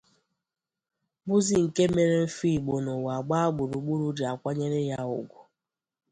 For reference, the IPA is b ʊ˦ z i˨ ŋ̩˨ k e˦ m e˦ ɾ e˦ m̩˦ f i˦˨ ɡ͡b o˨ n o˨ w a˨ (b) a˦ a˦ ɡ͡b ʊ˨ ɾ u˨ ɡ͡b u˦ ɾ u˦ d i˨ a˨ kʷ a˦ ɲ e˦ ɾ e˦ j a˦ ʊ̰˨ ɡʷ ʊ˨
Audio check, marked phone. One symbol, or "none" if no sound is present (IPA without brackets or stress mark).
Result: ɡ͡b